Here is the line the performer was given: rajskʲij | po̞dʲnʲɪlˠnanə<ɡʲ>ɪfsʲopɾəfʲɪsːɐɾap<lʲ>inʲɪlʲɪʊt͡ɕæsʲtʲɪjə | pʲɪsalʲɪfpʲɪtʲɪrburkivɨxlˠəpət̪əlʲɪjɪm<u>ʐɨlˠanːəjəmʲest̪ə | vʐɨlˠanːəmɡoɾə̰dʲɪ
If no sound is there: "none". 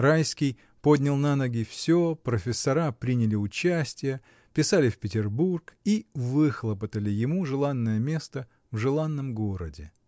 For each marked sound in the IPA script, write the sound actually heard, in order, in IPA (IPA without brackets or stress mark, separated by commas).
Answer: ɡʲ, ɾʲ, u